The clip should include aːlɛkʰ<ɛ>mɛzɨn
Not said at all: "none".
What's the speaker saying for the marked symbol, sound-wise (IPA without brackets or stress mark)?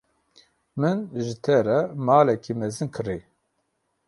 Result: i